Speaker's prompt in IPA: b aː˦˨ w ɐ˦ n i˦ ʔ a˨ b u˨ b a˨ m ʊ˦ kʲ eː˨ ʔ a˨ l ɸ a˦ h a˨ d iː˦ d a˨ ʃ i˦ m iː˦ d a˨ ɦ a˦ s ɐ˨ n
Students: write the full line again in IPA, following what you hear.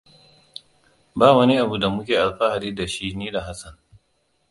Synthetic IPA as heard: b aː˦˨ w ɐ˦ n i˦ ʔ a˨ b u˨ d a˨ m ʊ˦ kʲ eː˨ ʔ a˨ l ɸ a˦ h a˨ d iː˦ d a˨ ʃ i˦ n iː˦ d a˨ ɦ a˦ s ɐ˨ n